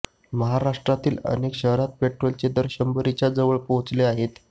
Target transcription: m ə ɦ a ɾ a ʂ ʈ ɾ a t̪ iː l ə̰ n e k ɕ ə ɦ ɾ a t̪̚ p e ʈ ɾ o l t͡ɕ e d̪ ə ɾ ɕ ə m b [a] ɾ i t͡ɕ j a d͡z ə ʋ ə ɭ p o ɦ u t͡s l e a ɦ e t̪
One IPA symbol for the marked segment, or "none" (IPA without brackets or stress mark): ə